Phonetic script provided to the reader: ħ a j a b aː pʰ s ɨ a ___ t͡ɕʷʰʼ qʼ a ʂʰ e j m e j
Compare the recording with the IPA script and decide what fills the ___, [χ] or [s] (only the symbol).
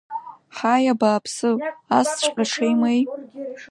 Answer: s